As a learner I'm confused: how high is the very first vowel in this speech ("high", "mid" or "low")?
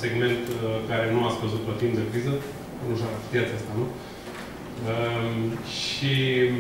mid